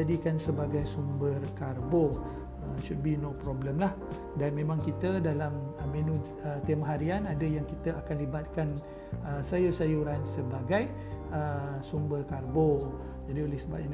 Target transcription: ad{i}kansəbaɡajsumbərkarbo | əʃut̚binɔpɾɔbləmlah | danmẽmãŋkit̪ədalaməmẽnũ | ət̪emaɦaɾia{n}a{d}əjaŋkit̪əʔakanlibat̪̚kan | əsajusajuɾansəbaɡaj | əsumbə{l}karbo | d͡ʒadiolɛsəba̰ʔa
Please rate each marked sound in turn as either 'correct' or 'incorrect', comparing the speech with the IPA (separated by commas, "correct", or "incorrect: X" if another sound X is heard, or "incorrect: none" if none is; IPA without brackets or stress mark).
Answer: correct, correct, correct, incorrect: r